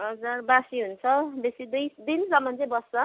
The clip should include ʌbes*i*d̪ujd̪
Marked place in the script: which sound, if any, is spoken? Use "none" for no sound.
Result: i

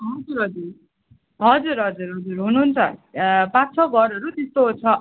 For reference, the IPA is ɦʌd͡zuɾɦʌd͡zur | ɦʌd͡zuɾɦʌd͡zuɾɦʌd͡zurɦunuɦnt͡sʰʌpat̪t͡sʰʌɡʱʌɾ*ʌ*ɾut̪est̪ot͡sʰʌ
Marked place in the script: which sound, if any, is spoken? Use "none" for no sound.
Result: ʌ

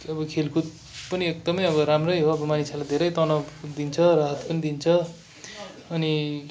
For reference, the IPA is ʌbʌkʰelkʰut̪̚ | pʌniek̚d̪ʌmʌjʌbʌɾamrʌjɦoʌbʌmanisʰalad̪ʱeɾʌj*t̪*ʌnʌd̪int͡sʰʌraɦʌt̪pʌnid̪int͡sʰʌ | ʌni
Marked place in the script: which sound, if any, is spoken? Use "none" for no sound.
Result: t̪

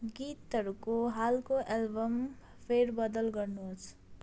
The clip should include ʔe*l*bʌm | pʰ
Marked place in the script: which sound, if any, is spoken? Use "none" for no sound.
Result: l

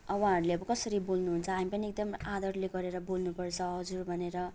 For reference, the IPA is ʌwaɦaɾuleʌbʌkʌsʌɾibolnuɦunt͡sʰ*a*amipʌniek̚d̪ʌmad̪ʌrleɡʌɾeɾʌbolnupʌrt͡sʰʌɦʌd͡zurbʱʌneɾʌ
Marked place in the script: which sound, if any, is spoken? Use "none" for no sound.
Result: ʌ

